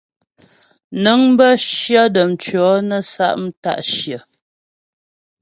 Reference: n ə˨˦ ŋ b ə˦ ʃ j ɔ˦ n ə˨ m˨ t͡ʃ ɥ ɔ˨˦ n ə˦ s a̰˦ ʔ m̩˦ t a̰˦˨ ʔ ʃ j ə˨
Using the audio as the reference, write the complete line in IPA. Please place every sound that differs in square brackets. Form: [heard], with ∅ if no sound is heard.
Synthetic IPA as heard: n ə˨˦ ŋ b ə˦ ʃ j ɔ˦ [d] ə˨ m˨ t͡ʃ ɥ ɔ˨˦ n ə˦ s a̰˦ ʔ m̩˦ t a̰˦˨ ʔ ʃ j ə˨